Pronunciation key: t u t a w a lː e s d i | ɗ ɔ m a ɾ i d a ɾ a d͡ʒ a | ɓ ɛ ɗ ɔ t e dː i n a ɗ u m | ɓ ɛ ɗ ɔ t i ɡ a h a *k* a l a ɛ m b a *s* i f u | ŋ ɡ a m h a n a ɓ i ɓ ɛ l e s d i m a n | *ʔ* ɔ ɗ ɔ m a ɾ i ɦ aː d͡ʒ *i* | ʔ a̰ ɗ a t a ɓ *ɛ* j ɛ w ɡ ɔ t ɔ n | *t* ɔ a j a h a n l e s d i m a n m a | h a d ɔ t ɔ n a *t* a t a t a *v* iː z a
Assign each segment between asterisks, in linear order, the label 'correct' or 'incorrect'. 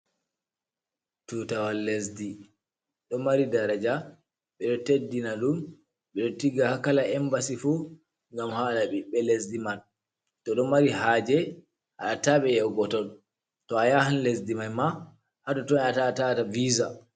correct, correct, incorrect, incorrect, correct, correct, correct, correct

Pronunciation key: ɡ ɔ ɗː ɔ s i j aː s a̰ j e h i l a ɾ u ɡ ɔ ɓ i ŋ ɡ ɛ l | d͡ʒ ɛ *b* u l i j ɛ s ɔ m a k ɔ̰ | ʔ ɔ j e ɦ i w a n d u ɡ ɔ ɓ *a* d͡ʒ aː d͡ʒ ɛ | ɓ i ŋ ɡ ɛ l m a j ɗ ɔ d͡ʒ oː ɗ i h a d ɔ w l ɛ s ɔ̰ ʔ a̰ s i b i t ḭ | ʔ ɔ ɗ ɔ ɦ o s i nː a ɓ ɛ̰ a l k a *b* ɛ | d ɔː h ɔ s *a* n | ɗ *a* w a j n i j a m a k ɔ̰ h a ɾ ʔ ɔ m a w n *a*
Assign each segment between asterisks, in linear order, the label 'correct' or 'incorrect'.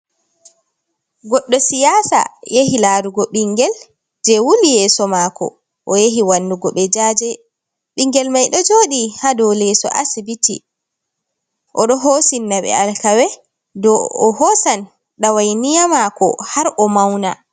incorrect, incorrect, incorrect, correct, correct, correct

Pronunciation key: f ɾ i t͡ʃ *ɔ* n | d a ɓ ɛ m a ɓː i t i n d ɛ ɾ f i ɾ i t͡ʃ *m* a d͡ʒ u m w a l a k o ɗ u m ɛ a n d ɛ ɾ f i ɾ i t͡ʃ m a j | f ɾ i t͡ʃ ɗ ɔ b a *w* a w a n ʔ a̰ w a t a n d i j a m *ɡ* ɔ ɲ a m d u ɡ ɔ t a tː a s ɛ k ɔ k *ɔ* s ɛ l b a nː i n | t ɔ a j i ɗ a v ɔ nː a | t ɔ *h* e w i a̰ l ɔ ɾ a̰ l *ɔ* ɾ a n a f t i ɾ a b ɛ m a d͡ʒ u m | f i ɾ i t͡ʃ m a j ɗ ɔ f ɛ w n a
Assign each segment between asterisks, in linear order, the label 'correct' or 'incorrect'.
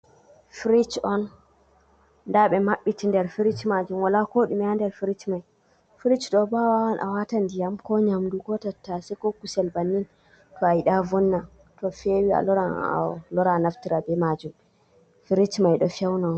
correct, correct, correct, incorrect, incorrect, incorrect, correct

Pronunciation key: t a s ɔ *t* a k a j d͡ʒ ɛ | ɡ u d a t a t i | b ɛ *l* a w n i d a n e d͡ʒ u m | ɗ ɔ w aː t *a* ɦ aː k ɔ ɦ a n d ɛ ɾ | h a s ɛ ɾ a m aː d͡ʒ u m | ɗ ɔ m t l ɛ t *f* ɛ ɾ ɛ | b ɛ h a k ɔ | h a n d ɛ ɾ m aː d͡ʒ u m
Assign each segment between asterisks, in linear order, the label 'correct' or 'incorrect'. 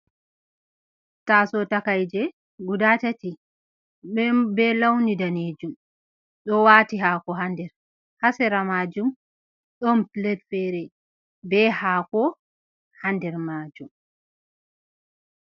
correct, correct, incorrect, correct

